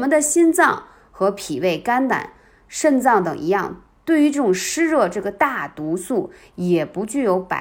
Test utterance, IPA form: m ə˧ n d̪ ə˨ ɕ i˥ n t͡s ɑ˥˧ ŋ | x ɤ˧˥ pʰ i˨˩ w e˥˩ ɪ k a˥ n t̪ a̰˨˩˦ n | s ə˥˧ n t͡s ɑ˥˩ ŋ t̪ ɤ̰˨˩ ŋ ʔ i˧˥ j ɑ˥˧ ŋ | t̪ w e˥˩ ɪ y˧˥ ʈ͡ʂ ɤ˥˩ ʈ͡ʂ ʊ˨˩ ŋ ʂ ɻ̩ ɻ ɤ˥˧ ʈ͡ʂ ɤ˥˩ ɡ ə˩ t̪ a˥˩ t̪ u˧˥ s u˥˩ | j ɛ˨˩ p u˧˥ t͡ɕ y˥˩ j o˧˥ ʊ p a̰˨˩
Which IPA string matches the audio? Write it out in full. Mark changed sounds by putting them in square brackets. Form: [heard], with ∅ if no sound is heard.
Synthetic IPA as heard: m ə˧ n d̪ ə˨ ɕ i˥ n t͡s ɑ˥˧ ŋ | x ɤ˧˥ pʰ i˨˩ w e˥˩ ɪ k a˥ n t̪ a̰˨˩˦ n | [ʂ] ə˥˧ n t͡s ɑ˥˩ ŋ t̪ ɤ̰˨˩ ŋ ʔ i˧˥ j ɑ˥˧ ŋ | t̪ w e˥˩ ɪ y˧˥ ʈ͡ʂ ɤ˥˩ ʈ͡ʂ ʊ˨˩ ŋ ʂ ɻ̩ ɻ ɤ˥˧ ʈ͡ʂ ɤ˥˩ ɡ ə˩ t̪ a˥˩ t̪ u˧˥ s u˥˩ | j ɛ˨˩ p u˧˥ t͡ɕ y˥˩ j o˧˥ ʊ p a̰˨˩